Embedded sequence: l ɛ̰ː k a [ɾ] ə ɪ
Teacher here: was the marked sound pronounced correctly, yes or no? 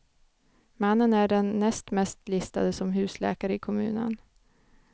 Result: yes